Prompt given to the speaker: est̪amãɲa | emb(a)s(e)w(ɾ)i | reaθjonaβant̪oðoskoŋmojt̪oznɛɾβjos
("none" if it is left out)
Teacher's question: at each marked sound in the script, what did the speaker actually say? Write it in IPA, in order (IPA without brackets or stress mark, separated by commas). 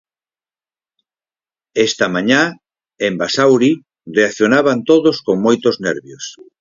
a, a, ɾ